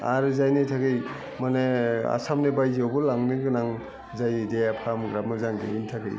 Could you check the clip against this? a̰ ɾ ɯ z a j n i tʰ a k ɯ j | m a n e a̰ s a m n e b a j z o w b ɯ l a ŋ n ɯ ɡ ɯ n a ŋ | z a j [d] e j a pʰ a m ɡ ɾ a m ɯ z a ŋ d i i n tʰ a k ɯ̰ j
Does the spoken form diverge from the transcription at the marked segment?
no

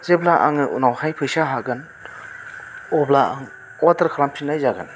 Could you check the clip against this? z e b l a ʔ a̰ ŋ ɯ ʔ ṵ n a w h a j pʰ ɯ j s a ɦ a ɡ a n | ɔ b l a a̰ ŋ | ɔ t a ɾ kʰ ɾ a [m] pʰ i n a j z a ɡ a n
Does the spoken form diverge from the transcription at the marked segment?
no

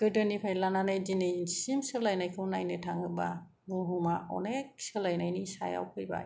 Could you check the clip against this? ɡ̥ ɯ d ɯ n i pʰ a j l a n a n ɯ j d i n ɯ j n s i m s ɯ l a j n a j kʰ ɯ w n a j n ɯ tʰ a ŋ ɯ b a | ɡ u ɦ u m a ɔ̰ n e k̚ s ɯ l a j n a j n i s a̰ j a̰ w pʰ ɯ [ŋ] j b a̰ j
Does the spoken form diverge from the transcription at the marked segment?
yes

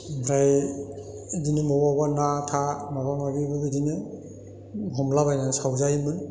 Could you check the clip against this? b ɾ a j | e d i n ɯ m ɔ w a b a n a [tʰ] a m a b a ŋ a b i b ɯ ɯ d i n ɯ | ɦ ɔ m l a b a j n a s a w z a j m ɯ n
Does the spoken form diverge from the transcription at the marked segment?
no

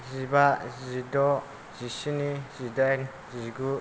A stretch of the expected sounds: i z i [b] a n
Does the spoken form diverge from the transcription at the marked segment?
yes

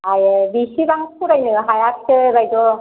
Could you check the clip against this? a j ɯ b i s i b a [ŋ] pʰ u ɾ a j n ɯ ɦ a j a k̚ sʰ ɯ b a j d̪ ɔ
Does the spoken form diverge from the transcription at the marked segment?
no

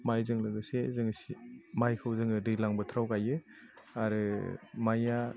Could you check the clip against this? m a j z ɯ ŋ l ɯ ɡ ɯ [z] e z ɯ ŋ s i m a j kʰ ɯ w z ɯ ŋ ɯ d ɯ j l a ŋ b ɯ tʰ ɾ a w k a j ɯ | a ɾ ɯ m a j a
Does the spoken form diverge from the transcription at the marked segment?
yes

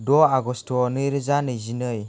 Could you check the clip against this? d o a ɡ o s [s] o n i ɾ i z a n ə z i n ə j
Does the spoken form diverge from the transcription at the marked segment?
yes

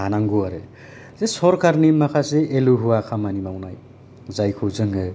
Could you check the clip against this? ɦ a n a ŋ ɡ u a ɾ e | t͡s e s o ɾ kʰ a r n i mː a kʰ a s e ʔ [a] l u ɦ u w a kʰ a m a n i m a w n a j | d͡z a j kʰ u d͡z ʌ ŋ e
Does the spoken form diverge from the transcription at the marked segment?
yes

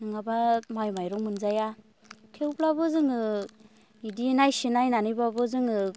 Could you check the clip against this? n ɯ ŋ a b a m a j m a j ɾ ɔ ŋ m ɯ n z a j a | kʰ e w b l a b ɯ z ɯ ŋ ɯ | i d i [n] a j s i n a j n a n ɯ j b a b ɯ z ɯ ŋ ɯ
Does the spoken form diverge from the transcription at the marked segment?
no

